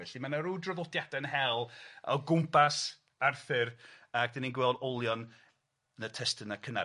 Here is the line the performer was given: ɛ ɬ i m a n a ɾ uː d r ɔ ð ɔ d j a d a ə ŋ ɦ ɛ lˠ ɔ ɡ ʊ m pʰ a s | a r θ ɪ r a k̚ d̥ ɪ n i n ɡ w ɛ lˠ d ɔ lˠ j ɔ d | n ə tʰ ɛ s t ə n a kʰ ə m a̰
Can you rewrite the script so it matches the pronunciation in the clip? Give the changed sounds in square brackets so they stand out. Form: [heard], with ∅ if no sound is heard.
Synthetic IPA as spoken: ɛ ɬ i m a n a ɾ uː d r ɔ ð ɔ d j a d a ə [n] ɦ ɛ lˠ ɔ ɡ ʊ m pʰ a s | a r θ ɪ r a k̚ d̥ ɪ n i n ɡ w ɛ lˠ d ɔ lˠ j ɔ [n] | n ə tʰ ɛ s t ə n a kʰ ə [n] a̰